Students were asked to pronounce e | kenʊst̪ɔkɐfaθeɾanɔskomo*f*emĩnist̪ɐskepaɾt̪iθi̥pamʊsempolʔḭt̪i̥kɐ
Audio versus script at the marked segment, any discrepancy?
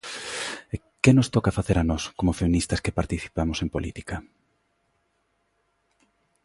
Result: no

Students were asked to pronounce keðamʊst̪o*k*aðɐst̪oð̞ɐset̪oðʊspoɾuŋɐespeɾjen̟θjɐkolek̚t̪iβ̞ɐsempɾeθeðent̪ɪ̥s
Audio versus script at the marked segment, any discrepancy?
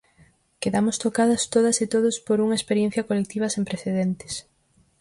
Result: no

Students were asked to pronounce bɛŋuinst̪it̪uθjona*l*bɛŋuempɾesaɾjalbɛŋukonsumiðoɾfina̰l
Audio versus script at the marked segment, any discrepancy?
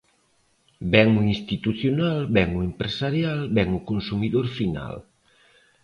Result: no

